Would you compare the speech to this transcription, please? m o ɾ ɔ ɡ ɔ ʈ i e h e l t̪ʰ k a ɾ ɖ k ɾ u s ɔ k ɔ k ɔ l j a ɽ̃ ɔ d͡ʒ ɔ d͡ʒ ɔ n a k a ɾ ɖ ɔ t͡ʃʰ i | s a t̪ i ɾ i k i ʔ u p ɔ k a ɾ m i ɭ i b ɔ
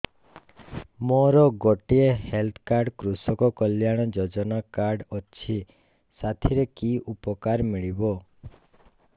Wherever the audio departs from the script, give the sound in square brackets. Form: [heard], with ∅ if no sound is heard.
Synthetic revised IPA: m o ɾ ɔ ɡ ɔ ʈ i e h e l t̪ʰ k a ɾ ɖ k ɾ u s ɔ k ɔ k ɔ l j a ɽ̃ ɔ d͡ʒ ɔ d͡ʒ ɔ n a k a ɾ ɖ ɔ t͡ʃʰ i | s a [t̪ʰ] i ɾ [e] k i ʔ u p ɔ k a ɾ m i ɭ i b ɔ